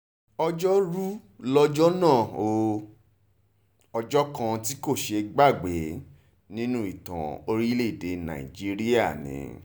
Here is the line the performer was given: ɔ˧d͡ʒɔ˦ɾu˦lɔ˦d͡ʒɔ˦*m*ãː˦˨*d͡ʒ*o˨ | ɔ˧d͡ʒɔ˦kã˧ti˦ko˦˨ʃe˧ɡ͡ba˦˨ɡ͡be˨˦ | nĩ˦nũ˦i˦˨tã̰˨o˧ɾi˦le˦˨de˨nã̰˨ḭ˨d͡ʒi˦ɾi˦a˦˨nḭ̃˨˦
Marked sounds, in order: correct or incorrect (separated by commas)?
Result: incorrect, incorrect